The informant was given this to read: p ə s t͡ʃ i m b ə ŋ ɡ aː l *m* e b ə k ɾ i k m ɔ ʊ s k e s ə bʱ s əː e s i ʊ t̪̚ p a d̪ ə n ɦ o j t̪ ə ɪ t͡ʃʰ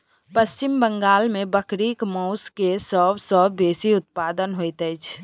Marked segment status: correct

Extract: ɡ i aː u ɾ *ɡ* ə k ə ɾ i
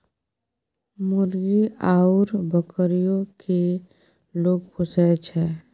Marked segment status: incorrect: b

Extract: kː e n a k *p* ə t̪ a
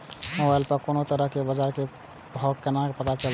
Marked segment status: correct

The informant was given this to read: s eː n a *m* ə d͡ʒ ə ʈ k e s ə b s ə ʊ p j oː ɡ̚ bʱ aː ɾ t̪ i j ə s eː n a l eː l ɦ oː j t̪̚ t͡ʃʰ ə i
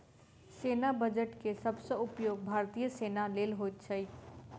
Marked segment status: incorrect: b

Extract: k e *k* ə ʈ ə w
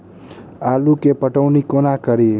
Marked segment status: incorrect: p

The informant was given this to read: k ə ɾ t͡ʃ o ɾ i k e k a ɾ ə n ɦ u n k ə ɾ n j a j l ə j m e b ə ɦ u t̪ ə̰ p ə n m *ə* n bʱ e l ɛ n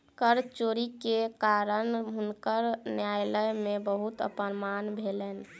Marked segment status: incorrect: a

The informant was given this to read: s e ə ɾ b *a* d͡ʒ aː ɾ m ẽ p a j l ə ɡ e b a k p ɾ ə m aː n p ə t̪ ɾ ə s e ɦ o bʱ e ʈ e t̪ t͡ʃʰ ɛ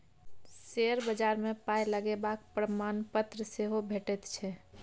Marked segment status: incorrect: ə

